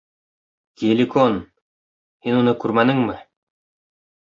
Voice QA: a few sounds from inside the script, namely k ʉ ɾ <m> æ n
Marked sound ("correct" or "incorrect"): correct